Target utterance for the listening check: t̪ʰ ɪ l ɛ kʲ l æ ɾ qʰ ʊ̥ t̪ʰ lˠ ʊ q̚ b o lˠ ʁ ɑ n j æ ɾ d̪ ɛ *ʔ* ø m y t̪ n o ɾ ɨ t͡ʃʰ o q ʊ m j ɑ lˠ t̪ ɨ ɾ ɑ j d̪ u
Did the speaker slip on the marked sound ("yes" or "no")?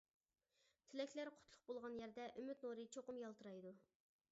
no